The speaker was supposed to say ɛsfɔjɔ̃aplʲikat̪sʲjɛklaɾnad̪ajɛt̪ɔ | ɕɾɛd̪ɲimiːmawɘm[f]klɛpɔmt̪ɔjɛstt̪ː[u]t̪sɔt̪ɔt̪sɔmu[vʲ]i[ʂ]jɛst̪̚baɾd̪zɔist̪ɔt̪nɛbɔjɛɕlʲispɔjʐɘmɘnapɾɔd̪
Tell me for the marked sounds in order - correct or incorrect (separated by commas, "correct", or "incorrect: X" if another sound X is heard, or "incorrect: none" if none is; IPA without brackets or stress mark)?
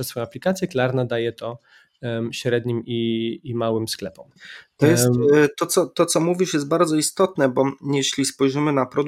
incorrect: s, incorrect: ɔ, correct, correct